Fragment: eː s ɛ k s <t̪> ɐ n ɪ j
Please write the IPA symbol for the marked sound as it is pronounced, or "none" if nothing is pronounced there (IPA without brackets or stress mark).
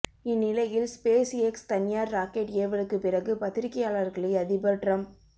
t̪